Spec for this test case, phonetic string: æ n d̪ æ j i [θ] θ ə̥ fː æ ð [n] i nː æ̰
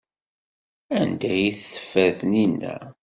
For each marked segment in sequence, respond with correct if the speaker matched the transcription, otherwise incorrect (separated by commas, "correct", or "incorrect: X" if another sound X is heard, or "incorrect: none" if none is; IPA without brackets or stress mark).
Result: correct, correct